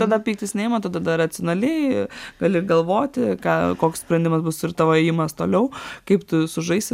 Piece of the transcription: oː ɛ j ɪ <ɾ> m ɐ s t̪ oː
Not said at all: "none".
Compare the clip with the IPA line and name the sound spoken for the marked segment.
none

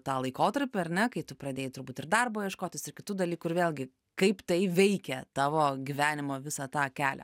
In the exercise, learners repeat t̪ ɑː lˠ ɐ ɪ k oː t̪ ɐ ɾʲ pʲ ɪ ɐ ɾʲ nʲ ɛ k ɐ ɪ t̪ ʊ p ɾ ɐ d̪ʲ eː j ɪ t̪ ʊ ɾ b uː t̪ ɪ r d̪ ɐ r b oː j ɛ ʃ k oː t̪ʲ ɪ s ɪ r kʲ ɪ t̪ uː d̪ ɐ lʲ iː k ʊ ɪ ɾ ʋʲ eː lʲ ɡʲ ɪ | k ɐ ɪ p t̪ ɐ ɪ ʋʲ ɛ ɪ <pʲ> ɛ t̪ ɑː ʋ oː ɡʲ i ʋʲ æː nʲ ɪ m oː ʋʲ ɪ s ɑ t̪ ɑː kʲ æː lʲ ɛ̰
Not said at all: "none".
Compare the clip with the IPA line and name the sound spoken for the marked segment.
kʲ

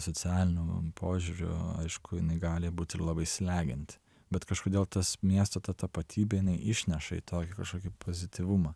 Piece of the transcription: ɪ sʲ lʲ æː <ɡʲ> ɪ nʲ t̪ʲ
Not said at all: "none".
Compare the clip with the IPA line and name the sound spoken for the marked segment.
ɡʲ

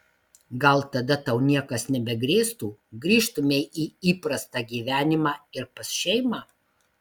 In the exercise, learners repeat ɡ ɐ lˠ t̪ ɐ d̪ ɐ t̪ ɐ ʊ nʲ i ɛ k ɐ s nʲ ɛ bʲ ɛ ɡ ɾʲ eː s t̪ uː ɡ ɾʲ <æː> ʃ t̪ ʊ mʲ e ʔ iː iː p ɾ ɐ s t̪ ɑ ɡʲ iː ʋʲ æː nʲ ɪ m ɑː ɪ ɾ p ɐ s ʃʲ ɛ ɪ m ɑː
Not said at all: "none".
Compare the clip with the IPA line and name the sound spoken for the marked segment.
iː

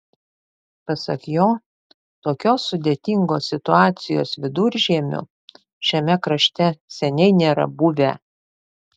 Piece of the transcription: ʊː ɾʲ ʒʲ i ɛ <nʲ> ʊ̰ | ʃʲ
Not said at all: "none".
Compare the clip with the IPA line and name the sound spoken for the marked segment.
mʲ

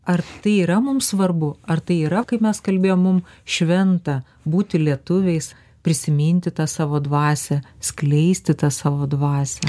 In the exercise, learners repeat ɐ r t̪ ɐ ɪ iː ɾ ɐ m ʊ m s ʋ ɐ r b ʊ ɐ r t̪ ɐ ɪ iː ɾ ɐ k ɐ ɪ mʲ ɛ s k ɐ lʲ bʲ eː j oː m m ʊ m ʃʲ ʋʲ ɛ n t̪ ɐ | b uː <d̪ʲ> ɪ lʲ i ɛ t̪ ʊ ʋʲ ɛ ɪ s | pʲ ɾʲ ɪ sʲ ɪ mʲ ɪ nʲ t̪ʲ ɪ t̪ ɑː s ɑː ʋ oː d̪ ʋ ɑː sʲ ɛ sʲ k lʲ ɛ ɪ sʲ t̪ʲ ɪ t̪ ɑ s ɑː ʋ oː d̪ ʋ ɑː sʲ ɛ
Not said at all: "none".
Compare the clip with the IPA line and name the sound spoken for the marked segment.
t̪ʲ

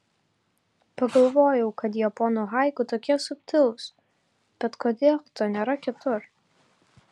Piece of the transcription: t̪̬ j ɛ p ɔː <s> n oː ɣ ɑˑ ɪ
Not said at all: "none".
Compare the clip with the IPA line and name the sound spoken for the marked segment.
none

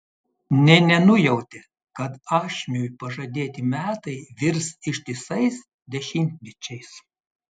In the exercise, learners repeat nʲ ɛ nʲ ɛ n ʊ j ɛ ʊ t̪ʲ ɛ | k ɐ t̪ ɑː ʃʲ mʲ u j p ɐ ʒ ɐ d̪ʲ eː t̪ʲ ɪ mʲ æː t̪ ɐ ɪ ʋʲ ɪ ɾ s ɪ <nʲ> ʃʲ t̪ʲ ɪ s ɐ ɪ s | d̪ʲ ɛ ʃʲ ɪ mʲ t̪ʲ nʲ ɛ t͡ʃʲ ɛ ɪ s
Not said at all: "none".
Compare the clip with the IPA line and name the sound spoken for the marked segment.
none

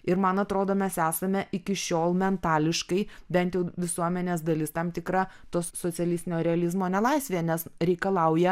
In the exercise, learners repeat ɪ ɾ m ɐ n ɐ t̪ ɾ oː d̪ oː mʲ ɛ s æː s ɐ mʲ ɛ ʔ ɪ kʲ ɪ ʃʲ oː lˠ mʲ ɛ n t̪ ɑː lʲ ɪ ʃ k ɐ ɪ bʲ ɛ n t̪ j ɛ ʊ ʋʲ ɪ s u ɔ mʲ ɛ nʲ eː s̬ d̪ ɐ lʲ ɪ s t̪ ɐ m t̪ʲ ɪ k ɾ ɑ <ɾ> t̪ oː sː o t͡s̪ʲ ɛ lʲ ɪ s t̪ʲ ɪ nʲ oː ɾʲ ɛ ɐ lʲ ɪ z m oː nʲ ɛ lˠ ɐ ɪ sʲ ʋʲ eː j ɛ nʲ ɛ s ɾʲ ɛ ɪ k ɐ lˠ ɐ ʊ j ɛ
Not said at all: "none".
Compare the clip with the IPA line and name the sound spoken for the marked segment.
none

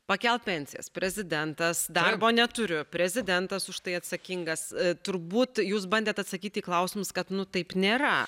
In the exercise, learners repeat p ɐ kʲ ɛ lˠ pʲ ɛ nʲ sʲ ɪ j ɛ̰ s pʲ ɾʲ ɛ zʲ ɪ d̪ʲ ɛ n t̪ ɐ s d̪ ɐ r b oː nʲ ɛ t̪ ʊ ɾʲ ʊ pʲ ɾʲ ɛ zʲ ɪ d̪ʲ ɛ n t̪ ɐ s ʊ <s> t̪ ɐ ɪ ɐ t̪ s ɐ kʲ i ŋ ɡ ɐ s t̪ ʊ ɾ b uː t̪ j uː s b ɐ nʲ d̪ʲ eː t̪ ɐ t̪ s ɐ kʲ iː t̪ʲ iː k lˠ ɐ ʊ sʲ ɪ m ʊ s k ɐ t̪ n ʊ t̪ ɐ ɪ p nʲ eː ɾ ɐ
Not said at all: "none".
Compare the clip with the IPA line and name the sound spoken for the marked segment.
ʃ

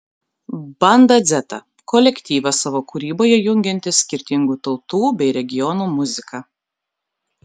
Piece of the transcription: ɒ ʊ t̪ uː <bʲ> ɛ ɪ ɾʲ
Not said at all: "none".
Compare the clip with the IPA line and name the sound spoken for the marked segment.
bʲ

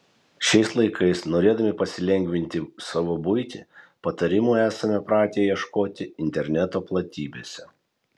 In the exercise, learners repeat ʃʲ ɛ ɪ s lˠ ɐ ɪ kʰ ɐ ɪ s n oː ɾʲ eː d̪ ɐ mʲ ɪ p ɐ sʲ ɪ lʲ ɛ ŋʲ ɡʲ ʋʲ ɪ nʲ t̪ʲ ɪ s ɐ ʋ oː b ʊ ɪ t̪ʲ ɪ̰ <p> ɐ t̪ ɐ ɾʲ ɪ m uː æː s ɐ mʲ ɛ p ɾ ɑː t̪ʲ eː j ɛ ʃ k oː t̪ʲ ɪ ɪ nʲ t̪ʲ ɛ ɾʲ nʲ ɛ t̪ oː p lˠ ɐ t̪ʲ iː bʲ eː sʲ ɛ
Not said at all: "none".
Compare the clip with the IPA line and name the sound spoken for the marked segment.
p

